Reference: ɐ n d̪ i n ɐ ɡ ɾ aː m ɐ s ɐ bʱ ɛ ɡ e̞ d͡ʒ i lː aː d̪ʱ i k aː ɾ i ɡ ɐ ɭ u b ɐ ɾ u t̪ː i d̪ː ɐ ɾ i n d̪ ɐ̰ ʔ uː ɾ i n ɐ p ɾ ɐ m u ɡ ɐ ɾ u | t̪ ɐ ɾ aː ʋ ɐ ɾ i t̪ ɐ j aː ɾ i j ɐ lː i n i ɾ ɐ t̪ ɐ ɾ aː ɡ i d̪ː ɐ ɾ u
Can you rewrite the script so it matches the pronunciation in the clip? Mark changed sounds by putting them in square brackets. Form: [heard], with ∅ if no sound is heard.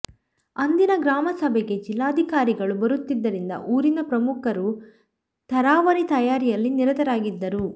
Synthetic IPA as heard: ɐ n d̪ i n ɐ ɡ ɾ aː m ɐ s ɐ bʱ ɛ ɡ e̞ d͡ʒ i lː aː d̪ʱ i k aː ɾ i ɡ ɐ ɭ u b ɐ ɾ u t̪ː i d̪ː ɐ ɾ i n d̪ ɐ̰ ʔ uː ɾ i n ɐ p ɾ ɐ m u [k] ɐ ɾ u | t̪ ɐ ɾ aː ʋ ɐ ɾ i t̪ ɐ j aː ɾ i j ɐ lː i n i ɾ ɐ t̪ ɐ ɾ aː ɡ i d̪ː ɐ ɾ u